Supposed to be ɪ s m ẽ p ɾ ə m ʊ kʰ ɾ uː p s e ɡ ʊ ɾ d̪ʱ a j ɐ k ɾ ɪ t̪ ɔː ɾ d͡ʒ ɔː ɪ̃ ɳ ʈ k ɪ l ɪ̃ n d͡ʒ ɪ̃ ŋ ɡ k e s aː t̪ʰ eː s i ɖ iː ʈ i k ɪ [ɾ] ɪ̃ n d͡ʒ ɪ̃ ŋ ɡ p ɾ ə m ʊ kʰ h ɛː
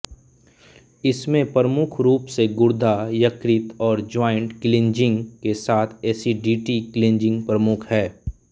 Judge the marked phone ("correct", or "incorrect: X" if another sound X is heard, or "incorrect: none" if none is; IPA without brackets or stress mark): incorrect: l